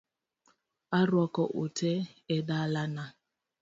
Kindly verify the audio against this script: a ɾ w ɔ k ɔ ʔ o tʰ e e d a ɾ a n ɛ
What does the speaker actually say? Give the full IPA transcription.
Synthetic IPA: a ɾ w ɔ k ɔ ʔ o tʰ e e d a l a n a